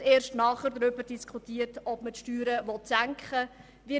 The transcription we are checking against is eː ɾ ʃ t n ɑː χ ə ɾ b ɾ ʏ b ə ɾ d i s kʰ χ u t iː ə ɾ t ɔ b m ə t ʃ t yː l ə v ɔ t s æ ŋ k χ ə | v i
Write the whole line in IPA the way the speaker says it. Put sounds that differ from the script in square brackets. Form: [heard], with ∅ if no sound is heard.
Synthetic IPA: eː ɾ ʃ t n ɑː χ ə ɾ [d] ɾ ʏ b ə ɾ d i s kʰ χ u t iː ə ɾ t ɔ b m ə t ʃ t yː [ɾ] ə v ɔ t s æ ŋ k χ ə | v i